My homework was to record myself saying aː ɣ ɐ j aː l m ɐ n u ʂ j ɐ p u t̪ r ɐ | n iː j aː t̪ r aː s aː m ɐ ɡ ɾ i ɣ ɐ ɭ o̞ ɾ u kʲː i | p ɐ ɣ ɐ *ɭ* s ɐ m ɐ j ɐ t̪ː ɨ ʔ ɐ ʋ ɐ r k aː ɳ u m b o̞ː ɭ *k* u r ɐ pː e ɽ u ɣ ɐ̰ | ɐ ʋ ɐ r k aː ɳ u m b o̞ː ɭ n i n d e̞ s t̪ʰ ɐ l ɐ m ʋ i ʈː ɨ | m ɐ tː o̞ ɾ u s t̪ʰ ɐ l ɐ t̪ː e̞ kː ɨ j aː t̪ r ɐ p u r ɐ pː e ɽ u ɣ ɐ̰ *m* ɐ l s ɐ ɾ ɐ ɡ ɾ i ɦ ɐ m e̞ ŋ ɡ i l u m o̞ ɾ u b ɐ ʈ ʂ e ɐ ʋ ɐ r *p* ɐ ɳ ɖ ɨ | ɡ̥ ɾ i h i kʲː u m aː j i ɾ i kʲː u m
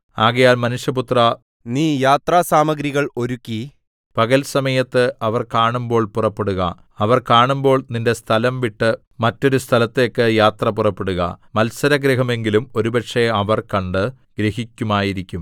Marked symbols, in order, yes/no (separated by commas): no, no, yes, no